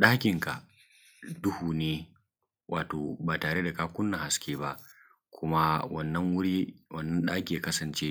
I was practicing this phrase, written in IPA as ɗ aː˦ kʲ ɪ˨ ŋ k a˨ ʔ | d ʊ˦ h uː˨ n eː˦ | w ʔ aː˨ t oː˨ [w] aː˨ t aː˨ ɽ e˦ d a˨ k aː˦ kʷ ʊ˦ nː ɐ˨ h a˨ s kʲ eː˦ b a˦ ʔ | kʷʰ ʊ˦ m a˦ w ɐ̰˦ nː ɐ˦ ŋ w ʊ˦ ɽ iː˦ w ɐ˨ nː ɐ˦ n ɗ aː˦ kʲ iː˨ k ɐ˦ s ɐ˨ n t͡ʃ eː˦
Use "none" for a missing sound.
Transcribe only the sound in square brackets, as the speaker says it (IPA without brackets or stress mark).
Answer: b